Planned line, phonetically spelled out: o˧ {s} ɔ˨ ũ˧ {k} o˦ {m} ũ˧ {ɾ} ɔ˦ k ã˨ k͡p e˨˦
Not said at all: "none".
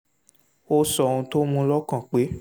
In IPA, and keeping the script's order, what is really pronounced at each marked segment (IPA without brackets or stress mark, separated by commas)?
s, t, m, l